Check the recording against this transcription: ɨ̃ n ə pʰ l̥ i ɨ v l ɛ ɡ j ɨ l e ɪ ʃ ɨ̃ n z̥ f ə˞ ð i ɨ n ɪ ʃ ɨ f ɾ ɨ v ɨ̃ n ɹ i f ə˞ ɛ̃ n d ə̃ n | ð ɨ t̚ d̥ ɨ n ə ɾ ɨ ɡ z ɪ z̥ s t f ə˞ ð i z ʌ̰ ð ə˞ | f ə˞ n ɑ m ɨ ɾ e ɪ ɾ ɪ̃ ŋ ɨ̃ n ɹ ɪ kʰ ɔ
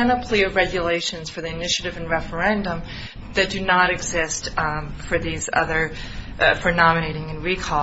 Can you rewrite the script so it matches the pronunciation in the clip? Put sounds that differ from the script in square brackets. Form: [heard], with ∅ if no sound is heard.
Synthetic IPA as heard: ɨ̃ n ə pʰ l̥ i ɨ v [ɹ] ɛ ɡ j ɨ l e ɪ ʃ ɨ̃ n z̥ f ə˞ ð i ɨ n ɪ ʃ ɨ [∅] ɾ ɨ v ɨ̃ n ɹ [ɛ] f ə˞ ɛ̃ n d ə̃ [m] | ð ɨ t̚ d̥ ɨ n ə ɾ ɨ ɡ z ɪ [∅] s t f ə˞ ð i z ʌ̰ ð ə˞ | f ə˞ n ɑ m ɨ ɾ e ɪ ɾ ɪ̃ ŋ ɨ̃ n ɹ [i] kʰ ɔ

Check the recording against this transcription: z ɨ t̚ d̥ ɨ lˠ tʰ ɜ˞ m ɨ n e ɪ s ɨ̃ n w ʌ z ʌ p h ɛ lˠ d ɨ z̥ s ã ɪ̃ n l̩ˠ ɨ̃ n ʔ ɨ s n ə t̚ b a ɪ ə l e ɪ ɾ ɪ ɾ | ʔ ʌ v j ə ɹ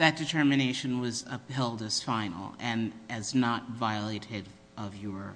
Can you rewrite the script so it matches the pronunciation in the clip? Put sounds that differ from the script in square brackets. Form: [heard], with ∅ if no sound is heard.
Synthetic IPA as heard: [ð] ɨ t̚ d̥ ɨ [∅] tʰ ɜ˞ m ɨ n e ɪ [ʃ] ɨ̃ n w ʌ z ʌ p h ɛ lˠ d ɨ z̥ [f] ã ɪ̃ n l̩ˠ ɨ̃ n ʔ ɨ [z] n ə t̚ [v] a ɪ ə l e ɪ ɾ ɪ ɾ | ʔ ʌ v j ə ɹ

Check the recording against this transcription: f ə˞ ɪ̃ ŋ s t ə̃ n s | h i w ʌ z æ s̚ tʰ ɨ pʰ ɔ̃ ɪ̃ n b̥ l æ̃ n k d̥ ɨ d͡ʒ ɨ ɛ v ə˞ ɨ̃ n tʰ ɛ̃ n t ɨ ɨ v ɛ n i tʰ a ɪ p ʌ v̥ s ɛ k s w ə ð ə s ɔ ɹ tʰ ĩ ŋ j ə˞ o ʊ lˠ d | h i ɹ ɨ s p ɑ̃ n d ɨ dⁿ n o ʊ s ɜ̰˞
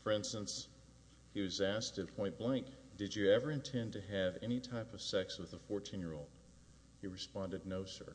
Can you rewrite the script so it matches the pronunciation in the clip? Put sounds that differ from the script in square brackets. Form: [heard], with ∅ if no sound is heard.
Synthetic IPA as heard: f ə˞ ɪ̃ [n] s t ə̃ n s | h i w ʌ z æ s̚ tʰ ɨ pʰ ɔ̃ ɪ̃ n b̥ l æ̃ [ŋ] k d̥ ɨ d͡ʒ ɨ ɛ v ə˞ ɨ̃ n tʰ ɛ̃ n t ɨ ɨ v ɛ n i tʰ a ɪ p ʌ v̥ s ɛ k s w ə ð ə [f] ɔ ɹ tʰ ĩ [n] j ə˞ o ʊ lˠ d | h i ɹ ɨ s p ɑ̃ n d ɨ dⁿ n o ʊ s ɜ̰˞

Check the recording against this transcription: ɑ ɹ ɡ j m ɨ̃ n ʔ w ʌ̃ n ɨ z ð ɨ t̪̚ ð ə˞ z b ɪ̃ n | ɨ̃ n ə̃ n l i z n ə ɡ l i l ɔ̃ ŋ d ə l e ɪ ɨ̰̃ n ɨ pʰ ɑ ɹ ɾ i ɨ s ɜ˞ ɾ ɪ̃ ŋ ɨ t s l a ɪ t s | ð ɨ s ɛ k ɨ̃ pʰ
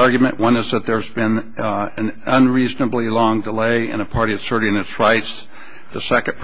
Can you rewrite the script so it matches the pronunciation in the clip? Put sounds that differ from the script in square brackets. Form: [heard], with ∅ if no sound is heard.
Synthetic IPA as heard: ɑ ɹ ɡ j m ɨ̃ n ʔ w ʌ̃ n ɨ z ð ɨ t̪̚ ð ə˞ z b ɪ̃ n | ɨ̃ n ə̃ n [ɹ] i z n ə [b] l i l ɔ̃ ŋ d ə l e ɪ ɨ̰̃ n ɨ pʰ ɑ ɹ ɾ i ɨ s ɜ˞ ɾ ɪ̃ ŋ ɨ t s [ɹ] a ɪ t s | ð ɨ s ɛ k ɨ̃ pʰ

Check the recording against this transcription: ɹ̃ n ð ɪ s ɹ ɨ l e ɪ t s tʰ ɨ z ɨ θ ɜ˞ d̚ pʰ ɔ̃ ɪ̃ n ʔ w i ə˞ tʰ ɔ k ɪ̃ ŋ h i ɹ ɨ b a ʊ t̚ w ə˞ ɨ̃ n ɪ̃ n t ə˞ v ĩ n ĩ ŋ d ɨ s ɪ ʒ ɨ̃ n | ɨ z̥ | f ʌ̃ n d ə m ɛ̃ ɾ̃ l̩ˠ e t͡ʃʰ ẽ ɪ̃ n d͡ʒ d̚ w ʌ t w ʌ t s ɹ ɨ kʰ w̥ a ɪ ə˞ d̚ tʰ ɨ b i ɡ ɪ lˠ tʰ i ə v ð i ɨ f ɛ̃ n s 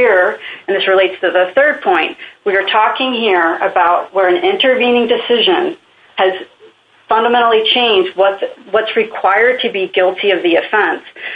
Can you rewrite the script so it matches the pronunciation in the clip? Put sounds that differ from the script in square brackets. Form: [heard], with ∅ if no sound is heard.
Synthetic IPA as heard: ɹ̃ n ð ɪ s ɹ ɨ l e ɪ t s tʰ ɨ [ð] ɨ θ ɜ˞ d̚ pʰ ɔ̃ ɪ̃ n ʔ w i ə˞ tʰ ɔ k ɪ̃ ŋ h i ɹ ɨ b a ʊ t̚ w ə˞ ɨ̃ n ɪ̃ n t ə˞ v ĩ n [ɪ̃] ŋ d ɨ s ɪ ʒ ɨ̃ n | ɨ z̥ | f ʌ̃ n d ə m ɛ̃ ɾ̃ l̩ˠ [i] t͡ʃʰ ẽ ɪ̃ n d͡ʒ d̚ w ʌ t w ʌ t s ɹ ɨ kʰ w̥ a ɪ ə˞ d̚ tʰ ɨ b i ɡ ɪ lˠ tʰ i [ʌ] v ð i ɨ f ɛ̃ n s

